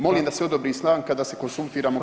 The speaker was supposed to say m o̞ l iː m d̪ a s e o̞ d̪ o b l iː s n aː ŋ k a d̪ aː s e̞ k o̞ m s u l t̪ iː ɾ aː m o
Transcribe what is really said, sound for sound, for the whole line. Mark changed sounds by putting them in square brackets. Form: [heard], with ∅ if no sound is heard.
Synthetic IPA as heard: m o̞ l iː m d̪ a s e o̞ d̪ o b [ɾ] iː s n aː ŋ k a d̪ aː s e̞ k o̞ [n] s u l t̪ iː ɾ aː m o